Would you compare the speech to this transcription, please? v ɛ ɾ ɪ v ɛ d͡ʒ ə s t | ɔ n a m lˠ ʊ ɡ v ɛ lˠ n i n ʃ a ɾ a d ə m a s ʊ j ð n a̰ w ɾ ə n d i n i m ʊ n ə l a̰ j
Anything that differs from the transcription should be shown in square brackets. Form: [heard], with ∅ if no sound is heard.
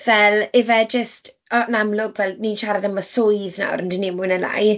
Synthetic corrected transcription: v ɛ [l] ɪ v ɛ d͡ʒ ə s t | ɔ n a m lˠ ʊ ɡ v ɛ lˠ n i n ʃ a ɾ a d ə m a s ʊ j ð n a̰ w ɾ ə n d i n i m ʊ n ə l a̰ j